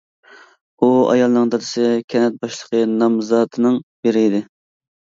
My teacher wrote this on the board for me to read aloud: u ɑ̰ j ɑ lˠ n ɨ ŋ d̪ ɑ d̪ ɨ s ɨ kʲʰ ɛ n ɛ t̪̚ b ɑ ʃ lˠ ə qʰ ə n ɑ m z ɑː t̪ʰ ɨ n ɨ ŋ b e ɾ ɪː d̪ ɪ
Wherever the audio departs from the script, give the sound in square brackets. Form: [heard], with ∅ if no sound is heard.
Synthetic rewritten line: u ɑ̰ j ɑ lˠ n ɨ ŋ d̪ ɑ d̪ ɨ s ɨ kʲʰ ɛ n ɛ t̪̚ b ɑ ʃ lˠ ə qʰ ə n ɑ m z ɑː t̪ʰ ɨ n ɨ ŋ b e ɾ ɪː d̪ ɪ